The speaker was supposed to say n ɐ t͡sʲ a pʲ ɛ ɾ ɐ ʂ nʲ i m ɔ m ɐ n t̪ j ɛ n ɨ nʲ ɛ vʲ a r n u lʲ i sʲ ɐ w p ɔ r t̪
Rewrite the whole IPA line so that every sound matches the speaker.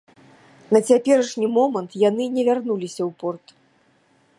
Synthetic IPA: n ɐ t͡sʲ a pʲ ɛ ɾ ɐ ʂ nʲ i m ɔ m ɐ n t̪ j a n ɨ nʲ ɛ vʲ a r n u lʲ i sʲ ɐ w p ɔ r t̪